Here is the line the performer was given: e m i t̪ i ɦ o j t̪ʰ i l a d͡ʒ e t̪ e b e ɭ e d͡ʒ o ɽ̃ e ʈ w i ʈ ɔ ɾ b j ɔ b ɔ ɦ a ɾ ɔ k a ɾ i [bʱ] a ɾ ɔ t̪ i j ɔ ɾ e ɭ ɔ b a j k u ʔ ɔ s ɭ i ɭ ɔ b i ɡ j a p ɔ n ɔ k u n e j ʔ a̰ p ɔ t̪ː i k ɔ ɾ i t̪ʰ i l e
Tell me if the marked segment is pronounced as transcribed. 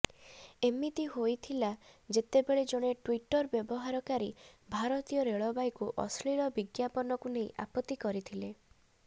yes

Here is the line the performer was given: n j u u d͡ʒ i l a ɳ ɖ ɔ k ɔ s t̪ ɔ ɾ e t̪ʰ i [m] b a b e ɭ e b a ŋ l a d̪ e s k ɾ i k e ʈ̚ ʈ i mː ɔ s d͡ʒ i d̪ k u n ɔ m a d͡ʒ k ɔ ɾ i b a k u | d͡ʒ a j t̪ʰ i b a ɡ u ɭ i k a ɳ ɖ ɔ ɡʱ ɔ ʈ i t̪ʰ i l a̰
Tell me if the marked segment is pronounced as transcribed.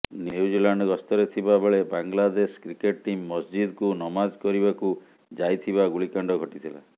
no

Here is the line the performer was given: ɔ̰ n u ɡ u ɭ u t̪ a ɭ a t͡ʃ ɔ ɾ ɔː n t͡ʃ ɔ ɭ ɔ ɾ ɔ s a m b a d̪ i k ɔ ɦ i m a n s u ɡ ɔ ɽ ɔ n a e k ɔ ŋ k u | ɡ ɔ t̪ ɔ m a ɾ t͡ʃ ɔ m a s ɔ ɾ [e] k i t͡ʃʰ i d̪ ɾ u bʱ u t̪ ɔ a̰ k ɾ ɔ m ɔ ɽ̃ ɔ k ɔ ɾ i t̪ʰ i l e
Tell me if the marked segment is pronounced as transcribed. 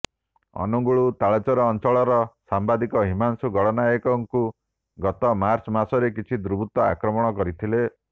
yes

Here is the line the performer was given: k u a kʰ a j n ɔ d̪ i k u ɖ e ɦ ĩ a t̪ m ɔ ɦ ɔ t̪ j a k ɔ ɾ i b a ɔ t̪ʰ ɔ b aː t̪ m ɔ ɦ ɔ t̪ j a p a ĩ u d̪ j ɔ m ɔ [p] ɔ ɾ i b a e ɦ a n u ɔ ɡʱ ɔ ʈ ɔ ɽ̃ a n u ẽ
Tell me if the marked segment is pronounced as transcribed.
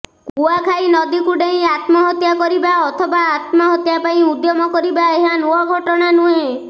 no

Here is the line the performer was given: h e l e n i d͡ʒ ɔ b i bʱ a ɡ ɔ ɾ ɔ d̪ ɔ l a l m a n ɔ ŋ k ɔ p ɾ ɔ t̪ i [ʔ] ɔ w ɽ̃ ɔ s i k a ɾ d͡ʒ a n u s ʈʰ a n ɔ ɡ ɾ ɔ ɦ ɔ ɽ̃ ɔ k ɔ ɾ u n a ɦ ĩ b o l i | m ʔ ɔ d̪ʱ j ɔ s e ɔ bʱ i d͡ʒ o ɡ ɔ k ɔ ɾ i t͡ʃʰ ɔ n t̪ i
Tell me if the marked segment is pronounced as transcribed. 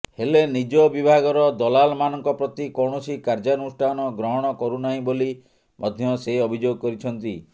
no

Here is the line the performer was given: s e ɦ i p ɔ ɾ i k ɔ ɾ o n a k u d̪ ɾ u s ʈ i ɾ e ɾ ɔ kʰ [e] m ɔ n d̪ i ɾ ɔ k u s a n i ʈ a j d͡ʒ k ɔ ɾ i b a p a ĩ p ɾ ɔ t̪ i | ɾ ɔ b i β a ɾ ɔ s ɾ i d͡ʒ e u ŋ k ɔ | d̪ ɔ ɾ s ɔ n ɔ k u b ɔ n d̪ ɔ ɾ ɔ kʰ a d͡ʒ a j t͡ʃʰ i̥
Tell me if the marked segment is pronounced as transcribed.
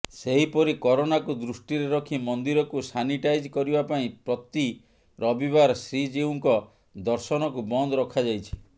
no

